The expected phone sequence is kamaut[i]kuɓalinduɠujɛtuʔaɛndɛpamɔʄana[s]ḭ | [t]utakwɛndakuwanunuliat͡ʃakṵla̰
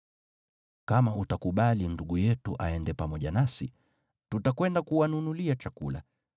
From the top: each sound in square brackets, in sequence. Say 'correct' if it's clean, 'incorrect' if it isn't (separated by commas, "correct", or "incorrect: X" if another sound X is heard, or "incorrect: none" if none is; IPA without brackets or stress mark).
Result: incorrect: a, correct, correct